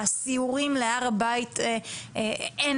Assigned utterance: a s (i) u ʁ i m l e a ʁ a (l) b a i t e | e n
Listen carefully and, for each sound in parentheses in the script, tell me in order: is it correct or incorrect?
correct, incorrect: none

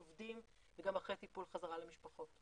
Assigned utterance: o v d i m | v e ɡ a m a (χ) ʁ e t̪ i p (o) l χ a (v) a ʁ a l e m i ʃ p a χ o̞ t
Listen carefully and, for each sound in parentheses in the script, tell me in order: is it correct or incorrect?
correct, incorrect: u, incorrect: z

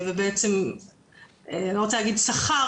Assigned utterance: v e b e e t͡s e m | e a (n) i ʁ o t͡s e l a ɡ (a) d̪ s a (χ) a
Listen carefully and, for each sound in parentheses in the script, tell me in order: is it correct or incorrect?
correct, incorrect: i, correct

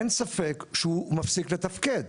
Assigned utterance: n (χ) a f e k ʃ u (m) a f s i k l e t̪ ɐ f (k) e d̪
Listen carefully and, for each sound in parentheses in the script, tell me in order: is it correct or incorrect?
incorrect: s, correct, correct

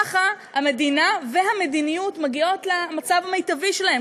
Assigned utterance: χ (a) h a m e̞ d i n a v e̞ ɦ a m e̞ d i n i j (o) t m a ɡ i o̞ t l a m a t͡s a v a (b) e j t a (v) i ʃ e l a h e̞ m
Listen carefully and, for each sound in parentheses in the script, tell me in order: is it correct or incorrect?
correct, incorrect: u, incorrect: m, correct

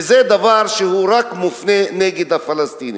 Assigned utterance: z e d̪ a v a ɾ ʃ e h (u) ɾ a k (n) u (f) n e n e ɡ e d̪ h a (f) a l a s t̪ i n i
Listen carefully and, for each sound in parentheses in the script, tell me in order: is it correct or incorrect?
correct, incorrect: m, correct, correct

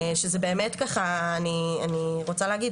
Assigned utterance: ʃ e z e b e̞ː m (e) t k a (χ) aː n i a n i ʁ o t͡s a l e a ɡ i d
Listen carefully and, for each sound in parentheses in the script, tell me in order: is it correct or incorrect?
correct, correct

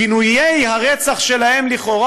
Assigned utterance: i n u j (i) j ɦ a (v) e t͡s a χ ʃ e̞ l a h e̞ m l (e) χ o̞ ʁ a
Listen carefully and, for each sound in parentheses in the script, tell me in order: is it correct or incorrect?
incorrect: e, incorrect: ʁ, incorrect: i

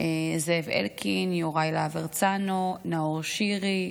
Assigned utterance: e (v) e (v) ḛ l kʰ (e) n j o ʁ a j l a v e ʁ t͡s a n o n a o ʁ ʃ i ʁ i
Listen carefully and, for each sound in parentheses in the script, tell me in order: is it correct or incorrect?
incorrect: z, correct, incorrect: i

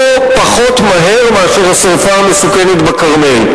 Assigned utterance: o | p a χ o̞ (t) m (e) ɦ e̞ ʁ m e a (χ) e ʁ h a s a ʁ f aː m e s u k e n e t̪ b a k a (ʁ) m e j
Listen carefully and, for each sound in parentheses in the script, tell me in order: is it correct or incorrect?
correct, incorrect: a, incorrect: ʃ, correct

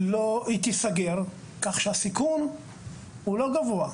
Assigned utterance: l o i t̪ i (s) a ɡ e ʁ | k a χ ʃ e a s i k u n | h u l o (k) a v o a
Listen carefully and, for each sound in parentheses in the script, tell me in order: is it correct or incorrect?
correct, incorrect: ɡ

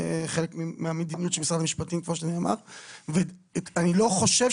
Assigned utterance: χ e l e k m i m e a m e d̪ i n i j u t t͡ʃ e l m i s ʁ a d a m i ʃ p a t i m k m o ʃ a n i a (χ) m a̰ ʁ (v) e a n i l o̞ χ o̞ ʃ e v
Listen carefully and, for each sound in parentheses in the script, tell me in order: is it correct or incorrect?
incorrect: none, correct

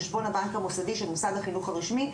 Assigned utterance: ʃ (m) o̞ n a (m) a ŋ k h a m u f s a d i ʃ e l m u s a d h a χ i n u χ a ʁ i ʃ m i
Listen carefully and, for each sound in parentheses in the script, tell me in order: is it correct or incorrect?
incorrect: b, incorrect: b

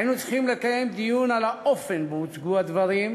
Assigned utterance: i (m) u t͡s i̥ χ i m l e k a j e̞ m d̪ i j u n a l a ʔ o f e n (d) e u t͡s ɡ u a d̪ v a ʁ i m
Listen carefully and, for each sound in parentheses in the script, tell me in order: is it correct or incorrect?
incorrect: n, incorrect: b

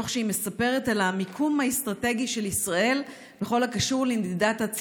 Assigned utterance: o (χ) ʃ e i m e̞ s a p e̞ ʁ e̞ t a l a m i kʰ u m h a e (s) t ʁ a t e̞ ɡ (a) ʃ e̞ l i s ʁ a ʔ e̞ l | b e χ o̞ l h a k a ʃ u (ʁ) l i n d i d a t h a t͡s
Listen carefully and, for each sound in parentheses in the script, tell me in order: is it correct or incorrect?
correct, correct, incorrect: i, correct

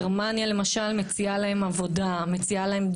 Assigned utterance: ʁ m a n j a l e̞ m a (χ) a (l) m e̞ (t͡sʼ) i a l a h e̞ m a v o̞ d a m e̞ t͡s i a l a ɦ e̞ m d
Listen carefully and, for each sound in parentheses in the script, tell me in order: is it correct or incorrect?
incorrect: ʃ, correct, incorrect: t͡s

